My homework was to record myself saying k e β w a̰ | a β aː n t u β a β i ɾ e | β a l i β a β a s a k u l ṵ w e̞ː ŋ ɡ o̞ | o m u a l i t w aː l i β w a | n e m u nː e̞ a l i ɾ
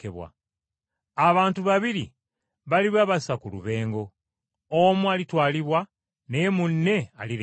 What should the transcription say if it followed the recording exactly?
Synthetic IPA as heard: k e β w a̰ | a β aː n t u β a β i ɾ i | β a l i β a β a s a k u l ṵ β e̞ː ŋ ɡ o̞ | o m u a l i t w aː l i β w a | n e m u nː e̞ a l i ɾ